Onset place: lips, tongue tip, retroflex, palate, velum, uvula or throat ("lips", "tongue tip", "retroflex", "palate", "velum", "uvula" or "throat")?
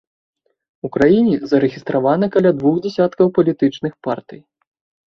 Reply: velum